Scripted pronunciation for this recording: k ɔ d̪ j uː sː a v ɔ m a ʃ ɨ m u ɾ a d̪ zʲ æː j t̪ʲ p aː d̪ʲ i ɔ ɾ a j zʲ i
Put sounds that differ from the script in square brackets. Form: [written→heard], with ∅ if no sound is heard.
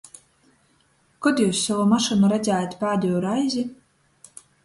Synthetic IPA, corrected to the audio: k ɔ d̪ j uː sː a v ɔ m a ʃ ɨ [m→n] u ɾ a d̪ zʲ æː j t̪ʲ p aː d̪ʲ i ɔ ɾ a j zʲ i